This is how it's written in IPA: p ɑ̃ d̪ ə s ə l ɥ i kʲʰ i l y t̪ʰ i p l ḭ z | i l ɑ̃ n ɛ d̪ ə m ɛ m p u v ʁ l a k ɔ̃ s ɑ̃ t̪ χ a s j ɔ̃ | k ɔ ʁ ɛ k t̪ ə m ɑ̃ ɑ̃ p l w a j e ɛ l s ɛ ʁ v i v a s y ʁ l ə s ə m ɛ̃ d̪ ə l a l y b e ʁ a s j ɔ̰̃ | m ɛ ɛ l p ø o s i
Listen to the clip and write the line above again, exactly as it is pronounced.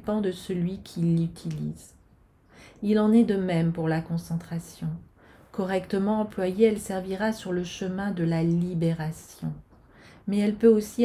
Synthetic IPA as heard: p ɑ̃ d̪ ə s ə l ɥ i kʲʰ i l y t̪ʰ i l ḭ z | i l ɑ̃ n ɛ d̪ ə m ɛ m p u ʁ l a k ɔ̃ s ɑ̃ t̪ χ a s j ɔ̃ | k ɔ ʁ ɛ k t̪ ə m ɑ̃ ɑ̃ p l w a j e ɛ l s ɛ ʁ v i ʁ a s y ʁ l ə ʃ ə m ɛ̃ d̪ ə l a l i b e ʁ a s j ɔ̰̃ | m ɛ ɛ l p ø o s i